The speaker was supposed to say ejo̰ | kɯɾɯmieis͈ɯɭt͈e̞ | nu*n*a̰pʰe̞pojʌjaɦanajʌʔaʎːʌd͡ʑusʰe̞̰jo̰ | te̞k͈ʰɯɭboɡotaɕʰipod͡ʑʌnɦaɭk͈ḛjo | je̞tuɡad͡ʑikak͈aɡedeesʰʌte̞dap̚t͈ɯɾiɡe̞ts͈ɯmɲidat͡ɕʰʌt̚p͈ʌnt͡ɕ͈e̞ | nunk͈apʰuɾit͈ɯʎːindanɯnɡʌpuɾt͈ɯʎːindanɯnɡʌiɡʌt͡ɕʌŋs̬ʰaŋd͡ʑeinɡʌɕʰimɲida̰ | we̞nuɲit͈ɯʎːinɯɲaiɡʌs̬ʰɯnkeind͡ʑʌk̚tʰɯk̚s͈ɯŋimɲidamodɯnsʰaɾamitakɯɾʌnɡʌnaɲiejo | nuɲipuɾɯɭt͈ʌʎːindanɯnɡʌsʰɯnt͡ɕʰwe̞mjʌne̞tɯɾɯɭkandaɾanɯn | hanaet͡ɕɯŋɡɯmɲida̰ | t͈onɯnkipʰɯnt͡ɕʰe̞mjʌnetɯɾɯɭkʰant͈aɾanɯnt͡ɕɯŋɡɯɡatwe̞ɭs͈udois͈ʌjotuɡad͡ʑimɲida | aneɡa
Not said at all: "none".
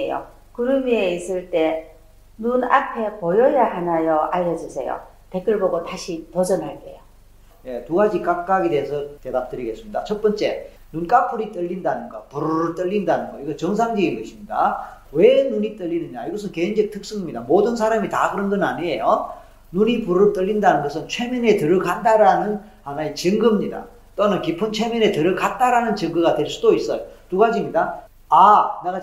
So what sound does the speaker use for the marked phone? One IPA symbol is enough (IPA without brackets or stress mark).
n